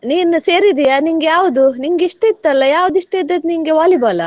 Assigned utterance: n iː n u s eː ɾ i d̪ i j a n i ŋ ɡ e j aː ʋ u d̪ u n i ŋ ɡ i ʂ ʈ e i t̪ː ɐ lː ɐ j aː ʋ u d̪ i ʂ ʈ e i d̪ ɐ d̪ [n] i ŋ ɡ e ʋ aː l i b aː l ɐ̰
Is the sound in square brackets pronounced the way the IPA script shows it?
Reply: yes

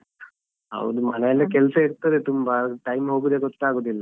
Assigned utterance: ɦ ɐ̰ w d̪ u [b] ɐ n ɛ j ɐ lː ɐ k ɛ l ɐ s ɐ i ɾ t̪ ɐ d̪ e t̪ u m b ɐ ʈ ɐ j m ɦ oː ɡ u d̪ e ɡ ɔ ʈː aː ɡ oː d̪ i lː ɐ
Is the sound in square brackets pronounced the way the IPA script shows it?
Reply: no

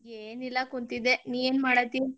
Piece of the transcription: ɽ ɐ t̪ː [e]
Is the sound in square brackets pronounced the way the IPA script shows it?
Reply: no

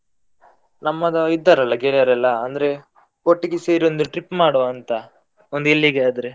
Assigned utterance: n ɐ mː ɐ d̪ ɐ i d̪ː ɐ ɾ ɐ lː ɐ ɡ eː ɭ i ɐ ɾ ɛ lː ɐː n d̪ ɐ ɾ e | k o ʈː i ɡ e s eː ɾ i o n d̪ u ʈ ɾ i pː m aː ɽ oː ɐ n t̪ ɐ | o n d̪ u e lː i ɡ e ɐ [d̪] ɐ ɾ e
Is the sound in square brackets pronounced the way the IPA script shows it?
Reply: yes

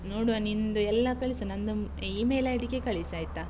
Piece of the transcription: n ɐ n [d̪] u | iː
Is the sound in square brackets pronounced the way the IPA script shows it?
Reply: yes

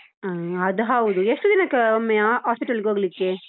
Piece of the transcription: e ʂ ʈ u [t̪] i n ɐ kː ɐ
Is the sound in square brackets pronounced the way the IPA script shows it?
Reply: no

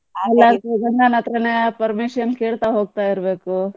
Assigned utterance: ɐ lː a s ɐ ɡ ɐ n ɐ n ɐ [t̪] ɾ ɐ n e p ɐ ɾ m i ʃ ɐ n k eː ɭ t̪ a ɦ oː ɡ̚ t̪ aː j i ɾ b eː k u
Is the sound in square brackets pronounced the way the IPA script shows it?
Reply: yes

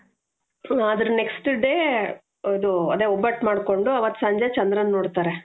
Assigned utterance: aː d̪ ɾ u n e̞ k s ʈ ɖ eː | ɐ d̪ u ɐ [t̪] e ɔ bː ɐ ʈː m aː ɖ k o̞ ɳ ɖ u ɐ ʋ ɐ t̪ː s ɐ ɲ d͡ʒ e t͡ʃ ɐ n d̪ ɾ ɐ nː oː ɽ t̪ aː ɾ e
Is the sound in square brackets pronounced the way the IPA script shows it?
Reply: no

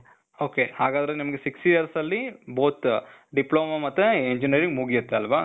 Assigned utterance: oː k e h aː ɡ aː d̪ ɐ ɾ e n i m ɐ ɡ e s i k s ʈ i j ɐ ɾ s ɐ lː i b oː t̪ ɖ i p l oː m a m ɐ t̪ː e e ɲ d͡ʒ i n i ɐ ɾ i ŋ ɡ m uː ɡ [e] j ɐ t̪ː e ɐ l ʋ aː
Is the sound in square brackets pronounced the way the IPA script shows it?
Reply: no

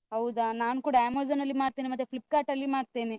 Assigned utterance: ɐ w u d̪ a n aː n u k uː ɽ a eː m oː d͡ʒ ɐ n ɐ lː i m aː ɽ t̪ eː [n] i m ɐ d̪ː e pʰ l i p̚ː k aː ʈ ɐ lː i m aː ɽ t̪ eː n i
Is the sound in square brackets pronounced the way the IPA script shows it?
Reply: yes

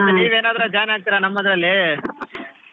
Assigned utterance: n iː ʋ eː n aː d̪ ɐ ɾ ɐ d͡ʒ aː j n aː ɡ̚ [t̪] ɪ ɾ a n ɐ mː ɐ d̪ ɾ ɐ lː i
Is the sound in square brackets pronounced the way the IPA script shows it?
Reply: yes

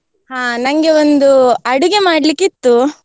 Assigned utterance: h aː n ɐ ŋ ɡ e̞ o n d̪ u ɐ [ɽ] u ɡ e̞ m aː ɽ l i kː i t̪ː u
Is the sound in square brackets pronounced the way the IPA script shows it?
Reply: yes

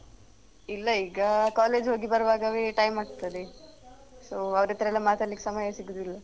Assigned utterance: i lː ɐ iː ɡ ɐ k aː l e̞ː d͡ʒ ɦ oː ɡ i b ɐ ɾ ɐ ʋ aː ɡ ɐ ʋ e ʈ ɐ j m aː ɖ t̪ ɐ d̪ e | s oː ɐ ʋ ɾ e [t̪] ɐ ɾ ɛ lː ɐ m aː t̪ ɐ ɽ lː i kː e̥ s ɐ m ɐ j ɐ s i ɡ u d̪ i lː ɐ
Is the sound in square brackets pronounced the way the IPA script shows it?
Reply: yes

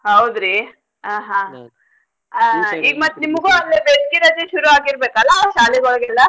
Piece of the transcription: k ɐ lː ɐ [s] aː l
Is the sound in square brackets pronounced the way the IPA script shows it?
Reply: no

